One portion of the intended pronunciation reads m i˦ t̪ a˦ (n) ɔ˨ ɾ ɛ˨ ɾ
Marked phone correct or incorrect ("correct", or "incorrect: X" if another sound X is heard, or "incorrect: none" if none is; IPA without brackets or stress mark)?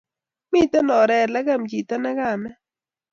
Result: correct